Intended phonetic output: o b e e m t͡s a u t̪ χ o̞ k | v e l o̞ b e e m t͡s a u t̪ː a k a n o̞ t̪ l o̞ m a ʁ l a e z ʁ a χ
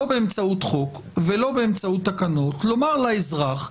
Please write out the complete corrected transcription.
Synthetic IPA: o b e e m t͡s a u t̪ χ o̞ k | v e l o̞ b e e m t͡s a u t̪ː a k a n o̞ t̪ l o̞ m a ʁ l a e z ʁ a χ

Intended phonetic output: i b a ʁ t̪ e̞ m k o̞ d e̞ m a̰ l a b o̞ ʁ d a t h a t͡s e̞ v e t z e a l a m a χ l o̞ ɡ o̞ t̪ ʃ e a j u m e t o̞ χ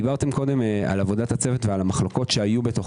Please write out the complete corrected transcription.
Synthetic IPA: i b a ʁ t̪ e̞ m k o̞ d e̞ m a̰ l a v o̞ d a t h a t͡s e̞ v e t v e a l a m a χ l o̞ k o̞ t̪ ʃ e a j u b e t o̞ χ

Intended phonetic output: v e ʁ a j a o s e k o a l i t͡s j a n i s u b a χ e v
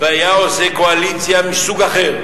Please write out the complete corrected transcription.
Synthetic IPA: v e a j a o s e k o a l i t͡s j a m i s u ɡ a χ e ʁ

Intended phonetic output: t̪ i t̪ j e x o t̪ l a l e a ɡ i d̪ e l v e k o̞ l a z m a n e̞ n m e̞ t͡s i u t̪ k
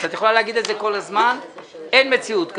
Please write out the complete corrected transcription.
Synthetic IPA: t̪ a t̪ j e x o l a l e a ɡ i d̪ e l z e k o̞ l a z m a n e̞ n m e̞ t͡s i u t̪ k

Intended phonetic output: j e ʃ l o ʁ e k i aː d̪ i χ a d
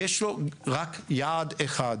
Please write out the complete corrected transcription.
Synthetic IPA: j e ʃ l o ʁ a k j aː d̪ e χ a d

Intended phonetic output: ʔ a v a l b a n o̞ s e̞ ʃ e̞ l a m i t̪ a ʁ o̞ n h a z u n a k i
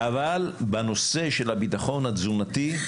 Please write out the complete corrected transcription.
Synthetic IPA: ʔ a v a l b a n o̞ s e̞ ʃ e̞ l a b i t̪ a χ o̞ n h a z u n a t i

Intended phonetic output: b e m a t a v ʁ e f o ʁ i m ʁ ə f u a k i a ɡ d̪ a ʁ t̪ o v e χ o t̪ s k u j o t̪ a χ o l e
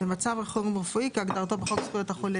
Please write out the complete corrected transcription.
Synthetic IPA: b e m a t͡s a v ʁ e χ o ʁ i m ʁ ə f u i k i a ɡ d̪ a ʁ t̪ o b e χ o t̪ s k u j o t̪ a χ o l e

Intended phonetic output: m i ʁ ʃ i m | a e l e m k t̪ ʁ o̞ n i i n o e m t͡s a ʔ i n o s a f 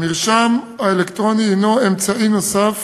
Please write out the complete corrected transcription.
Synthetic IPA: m i ʁ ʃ a m | a e l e k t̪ ʁ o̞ n i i n o e m t͡s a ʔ i n o s a f

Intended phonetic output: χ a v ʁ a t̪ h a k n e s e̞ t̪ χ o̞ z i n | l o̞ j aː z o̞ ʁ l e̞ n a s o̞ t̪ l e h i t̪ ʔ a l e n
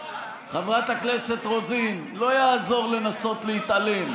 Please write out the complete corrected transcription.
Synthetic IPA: χ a v ʁ a t̪ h a k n e s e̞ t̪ ʁ o̞ z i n | l o̞ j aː z o̞ ʁ l e̞ n a s o̞ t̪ l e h i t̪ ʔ a l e m

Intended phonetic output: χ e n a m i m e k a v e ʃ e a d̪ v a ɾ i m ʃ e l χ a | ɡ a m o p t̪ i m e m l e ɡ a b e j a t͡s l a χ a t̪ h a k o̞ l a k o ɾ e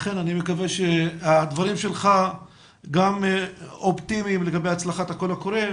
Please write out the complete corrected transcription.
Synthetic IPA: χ e n a n i m e k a v e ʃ e a d̪ v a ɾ i m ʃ e l χ a | ɡ a m o p t̪ i m i m l e ɡ a b e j a t͡s l a χ a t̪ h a k o̞ l a k o ɾ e

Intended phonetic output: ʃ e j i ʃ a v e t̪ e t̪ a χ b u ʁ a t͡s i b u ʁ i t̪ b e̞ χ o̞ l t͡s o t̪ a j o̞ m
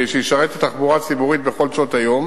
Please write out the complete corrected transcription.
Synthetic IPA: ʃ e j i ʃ a ʁ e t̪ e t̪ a χ b u ʁ a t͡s i b u ʁ i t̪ b e̞ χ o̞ l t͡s o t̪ a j o̞ m

